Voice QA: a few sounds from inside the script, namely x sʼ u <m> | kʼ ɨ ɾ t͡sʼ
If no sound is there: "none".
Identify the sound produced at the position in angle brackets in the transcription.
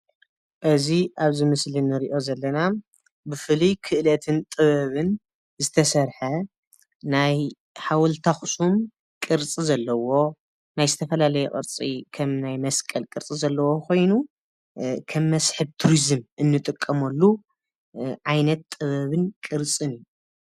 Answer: m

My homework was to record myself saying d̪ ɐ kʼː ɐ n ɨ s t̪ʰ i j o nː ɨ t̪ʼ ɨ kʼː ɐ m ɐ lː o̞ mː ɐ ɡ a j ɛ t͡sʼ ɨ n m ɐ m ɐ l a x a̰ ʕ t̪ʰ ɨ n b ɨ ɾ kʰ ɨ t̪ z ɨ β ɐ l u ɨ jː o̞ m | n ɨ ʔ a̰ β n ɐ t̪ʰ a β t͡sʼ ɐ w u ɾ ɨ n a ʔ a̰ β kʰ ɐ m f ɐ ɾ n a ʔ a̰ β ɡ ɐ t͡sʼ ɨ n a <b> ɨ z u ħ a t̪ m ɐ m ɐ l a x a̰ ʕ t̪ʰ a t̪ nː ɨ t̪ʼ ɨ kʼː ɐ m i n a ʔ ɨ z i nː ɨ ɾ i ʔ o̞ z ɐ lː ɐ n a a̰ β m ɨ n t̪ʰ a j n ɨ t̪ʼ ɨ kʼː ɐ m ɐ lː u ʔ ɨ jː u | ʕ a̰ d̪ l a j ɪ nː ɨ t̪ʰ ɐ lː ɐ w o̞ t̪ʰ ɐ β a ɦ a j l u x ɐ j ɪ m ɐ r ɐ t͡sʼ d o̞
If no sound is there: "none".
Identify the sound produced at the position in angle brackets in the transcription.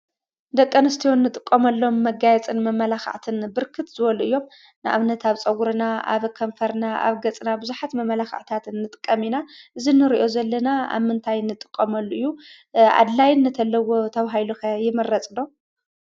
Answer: b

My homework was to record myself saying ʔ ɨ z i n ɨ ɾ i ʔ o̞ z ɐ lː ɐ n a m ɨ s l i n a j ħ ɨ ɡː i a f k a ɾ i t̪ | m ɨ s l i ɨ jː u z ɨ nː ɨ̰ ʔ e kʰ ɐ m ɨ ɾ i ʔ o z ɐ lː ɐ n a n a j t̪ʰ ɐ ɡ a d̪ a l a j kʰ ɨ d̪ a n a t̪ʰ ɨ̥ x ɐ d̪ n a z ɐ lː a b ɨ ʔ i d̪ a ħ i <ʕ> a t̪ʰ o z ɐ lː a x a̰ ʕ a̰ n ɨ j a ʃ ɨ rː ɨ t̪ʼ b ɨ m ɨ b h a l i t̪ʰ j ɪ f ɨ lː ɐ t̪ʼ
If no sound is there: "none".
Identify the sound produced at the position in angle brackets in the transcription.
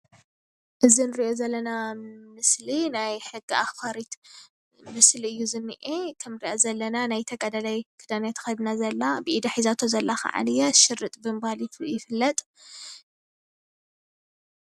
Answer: z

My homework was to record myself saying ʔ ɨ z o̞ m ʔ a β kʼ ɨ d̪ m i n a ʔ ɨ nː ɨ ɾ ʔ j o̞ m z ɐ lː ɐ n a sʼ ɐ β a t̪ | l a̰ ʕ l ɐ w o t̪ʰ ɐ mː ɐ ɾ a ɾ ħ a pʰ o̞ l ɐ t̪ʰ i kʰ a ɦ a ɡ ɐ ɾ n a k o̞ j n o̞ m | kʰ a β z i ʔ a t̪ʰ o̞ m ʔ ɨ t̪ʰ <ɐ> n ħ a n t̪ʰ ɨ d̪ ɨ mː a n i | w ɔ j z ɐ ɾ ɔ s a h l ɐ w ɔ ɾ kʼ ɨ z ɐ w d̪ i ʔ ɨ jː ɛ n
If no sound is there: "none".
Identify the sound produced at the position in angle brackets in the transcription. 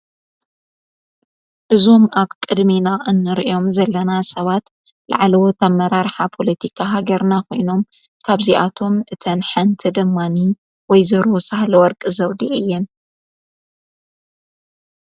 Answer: ɐ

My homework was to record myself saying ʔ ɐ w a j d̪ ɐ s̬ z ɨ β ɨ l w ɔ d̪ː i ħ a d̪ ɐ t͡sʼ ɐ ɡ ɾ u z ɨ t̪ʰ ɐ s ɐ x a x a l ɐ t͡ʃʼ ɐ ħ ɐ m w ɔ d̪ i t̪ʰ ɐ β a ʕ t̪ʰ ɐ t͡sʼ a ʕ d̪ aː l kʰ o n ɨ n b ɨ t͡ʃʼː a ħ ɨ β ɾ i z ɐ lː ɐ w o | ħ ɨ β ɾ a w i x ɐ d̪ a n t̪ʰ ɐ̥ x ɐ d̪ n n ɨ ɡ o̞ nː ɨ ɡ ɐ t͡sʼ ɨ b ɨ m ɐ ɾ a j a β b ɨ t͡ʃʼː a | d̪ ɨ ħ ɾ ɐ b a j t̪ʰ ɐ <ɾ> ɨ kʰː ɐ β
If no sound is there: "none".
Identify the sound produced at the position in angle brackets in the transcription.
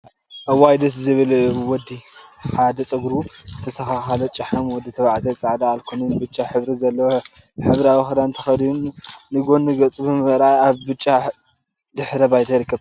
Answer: ɾ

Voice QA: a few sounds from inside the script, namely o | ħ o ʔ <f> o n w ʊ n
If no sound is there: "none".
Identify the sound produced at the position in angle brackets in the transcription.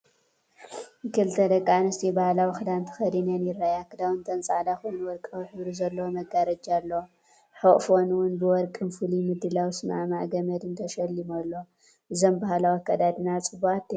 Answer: f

